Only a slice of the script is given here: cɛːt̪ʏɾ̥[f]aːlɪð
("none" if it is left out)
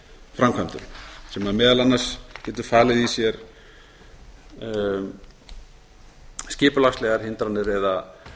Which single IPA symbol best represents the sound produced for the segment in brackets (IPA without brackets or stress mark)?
f